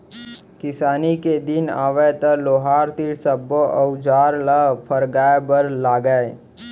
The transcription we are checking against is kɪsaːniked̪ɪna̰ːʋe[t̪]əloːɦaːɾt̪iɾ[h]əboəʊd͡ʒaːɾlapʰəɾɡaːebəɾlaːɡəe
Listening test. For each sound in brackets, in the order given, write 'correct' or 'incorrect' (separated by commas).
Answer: correct, incorrect